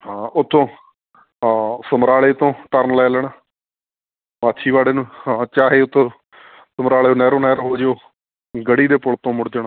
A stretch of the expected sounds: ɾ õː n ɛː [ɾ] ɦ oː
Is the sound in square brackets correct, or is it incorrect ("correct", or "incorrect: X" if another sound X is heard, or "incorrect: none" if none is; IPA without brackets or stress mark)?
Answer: correct